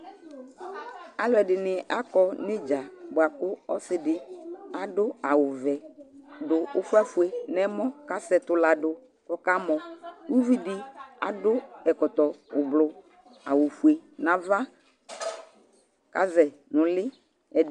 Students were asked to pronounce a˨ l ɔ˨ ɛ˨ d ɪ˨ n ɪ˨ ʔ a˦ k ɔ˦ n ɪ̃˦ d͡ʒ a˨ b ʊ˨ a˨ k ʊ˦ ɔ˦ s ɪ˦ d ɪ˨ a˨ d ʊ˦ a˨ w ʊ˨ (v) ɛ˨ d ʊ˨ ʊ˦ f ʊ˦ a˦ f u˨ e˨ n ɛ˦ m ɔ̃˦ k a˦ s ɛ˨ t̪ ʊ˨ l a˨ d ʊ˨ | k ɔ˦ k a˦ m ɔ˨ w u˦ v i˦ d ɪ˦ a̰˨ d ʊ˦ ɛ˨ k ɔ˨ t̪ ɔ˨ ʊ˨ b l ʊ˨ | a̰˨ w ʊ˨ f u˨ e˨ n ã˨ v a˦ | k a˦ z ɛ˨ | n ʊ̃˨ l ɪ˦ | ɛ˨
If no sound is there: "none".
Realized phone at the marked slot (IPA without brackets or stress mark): v